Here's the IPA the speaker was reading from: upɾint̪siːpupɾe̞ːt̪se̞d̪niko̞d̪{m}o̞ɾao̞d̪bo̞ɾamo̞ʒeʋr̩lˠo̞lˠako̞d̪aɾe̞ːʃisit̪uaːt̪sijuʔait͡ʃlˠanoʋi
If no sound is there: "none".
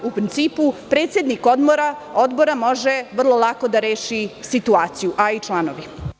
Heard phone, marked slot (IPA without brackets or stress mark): m